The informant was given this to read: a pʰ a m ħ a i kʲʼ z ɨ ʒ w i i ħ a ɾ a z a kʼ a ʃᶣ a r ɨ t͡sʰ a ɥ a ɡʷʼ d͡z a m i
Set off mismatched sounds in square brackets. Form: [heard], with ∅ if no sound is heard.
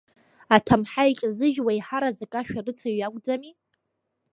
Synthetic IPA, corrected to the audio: a [tʰ] a m ħ a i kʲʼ z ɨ ʒ w [a] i ħ a ɾ a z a kʼ a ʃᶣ a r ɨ t͡sʰ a ɥ a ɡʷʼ d͡z a m i